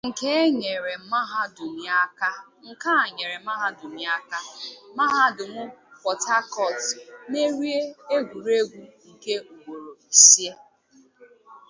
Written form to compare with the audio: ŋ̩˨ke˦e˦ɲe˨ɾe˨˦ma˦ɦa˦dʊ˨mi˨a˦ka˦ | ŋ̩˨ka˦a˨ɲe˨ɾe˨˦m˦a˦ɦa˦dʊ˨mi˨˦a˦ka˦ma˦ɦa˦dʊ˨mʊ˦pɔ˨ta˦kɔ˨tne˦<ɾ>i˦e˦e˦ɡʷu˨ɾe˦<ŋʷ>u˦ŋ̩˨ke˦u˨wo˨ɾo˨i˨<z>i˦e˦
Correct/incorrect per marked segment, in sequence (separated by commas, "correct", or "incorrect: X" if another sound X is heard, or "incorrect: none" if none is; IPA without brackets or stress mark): correct, incorrect: ɡʷ, incorrect: s